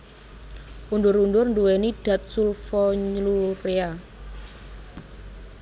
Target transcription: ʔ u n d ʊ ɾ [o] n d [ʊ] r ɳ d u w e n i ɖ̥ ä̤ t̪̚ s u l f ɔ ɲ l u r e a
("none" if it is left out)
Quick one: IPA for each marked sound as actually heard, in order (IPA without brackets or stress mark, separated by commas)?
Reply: u, ʊ